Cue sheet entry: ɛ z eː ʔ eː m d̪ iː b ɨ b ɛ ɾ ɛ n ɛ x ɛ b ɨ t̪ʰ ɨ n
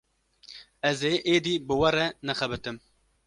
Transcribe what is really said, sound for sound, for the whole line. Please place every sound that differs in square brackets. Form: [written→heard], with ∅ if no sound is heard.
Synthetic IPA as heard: ɛ z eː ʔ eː [m→∅] d̪ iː b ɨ [b→w] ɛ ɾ ɛ n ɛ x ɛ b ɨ [t̪ʰ→t̪] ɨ [n→m]